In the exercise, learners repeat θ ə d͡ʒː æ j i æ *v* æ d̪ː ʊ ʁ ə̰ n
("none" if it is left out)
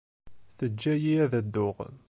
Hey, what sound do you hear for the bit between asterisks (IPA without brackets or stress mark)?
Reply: ð